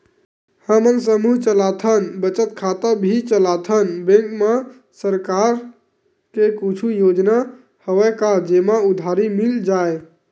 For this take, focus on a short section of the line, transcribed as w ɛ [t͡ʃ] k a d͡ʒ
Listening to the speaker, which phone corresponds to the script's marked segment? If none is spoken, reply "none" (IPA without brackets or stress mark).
none